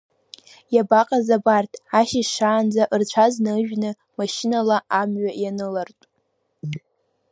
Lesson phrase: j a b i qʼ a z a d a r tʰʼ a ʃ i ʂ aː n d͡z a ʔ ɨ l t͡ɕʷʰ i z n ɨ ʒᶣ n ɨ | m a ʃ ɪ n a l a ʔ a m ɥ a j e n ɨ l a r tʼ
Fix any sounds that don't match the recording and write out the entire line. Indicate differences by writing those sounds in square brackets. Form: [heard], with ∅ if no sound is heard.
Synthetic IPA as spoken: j a b [a] qʼ a z a [b] a r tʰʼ a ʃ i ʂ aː n d͡z a ʔ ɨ [r] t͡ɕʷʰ [a] z n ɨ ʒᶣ n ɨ | m a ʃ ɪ n a l a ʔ a m ɥ a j [a] n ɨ l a r tʼ